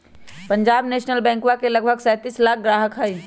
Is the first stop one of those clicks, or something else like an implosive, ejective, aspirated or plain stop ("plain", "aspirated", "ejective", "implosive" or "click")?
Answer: plain